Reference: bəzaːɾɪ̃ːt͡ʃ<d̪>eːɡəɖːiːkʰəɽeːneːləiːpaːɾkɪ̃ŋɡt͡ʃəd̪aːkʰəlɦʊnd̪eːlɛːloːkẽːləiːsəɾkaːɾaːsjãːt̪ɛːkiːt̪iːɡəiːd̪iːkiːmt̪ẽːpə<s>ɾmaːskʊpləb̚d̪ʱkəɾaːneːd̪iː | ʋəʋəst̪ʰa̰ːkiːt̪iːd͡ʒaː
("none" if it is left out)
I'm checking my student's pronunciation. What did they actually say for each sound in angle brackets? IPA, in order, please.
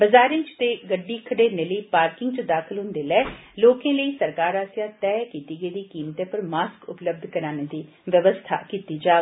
t̪, none

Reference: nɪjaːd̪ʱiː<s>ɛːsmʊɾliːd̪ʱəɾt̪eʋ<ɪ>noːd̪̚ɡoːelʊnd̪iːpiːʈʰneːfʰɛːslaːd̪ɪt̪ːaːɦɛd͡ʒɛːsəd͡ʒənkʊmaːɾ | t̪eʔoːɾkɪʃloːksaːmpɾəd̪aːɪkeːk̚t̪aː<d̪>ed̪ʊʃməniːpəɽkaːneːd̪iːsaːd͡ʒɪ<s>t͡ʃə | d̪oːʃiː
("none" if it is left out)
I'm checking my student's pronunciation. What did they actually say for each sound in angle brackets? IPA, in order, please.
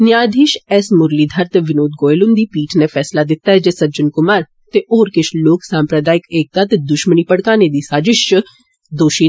ʃ, ɪ, t̪, ʃ

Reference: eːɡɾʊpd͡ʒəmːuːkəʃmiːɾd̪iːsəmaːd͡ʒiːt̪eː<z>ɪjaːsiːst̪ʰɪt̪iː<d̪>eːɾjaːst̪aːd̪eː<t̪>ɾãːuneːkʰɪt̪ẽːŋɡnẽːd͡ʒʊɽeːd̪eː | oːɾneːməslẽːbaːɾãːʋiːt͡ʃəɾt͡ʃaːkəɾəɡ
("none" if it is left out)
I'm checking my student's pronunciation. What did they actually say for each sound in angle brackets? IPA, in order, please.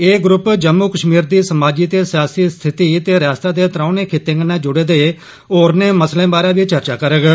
s, t̪, t̪

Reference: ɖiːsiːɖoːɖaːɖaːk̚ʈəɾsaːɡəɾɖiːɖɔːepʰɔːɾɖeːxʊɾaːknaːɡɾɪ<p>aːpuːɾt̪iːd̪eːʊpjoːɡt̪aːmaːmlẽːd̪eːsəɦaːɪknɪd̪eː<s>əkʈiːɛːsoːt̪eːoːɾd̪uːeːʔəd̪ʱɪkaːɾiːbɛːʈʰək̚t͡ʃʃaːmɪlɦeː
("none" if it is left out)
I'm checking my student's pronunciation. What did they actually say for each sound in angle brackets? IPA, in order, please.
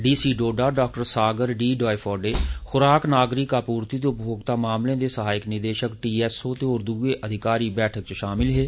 k, ʃ

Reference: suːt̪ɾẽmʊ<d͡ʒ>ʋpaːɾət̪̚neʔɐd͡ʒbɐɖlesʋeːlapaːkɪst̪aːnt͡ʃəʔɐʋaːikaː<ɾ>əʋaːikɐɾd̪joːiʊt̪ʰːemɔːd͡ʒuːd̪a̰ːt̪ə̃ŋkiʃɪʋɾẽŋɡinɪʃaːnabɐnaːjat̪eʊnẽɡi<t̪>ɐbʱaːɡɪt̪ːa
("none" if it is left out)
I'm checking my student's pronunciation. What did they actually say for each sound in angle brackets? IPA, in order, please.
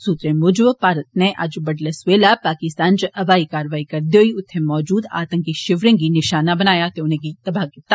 d͡ʒ, ɾ, t̪

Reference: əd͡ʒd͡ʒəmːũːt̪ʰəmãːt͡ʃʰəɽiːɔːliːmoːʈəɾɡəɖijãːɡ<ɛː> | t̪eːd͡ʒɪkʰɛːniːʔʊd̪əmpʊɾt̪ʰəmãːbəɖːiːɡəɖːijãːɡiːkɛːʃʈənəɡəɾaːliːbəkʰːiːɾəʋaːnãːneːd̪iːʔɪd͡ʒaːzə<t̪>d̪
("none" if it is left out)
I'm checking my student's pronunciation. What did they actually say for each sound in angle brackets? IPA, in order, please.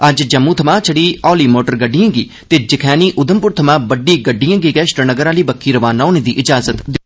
iː, t̪

